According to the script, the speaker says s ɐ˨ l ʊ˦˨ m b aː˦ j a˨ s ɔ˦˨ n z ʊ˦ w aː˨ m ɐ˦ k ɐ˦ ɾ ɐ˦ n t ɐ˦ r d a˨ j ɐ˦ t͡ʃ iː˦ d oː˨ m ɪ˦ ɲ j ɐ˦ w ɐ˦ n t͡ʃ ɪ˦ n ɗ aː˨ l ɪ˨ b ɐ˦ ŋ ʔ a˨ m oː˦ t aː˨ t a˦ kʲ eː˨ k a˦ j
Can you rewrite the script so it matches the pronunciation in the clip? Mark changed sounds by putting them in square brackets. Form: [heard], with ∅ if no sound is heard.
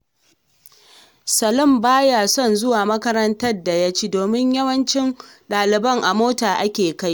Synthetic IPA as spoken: s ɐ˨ l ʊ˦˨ m b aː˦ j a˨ s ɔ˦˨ n z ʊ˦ w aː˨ m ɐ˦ k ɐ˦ ɾ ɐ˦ n t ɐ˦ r d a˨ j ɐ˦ t͡ʃ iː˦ d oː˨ m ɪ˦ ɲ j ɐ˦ w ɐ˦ n t͡ʃ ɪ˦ n ɗ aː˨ l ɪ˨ b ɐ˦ ŋ ʔ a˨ m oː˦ t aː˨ [ʔ] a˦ kʲ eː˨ k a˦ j